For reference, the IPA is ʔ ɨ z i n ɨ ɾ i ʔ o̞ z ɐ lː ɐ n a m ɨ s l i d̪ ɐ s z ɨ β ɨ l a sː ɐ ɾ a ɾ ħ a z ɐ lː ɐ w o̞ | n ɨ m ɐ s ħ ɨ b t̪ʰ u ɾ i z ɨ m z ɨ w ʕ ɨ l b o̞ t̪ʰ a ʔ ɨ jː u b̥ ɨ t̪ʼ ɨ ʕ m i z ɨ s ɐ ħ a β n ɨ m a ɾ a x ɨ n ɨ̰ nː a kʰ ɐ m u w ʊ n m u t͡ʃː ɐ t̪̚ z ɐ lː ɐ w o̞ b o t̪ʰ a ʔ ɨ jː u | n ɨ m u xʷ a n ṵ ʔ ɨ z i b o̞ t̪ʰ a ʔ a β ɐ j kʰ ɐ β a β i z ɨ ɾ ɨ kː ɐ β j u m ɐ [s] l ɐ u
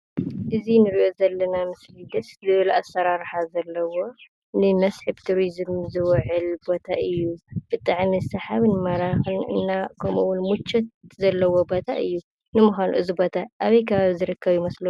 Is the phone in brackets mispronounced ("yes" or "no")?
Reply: no